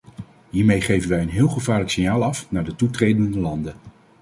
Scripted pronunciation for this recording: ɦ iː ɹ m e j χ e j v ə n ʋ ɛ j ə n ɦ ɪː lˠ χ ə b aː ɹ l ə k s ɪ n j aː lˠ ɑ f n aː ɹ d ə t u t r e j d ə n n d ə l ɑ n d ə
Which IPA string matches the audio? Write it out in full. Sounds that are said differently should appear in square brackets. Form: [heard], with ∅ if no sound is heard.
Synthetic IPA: ɦ iː ɹ m e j χ e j v ə n ʋ ɛ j ə n ɦ ɪː lˠ χ ə [v] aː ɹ l ə k s ɪ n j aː lˠ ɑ f n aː ɹ d ə t u t r e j d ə n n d ə l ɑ n d ə